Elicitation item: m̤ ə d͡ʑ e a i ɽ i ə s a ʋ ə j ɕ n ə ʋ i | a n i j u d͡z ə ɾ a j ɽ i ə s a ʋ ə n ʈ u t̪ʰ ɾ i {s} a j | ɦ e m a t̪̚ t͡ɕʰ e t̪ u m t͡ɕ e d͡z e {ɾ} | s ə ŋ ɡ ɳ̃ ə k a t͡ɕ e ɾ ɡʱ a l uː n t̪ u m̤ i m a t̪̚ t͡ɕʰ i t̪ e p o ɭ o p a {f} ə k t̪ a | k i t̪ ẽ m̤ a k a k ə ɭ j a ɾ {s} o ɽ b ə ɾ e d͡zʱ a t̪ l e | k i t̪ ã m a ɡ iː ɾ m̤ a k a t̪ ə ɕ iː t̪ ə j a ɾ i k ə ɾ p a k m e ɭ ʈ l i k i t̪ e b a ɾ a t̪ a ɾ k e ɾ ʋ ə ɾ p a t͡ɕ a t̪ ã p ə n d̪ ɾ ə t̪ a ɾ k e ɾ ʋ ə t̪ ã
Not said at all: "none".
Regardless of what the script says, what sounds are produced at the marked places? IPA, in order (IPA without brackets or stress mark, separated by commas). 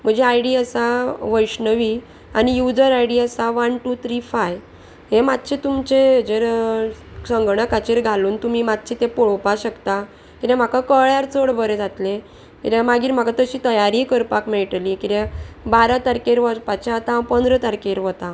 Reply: f, ɾ, ɕ, t͡s